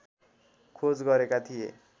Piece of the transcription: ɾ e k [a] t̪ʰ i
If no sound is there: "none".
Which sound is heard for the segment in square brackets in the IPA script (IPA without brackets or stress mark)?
a